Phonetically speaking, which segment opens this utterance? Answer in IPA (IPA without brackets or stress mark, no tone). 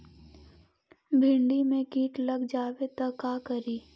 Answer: bʱ